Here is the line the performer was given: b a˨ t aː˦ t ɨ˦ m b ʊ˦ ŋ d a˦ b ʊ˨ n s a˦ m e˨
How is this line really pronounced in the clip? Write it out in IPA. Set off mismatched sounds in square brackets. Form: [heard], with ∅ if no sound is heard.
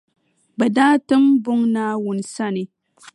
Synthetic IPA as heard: b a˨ [d] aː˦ t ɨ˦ m b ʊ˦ ŋ [n] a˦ [w] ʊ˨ n s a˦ [n] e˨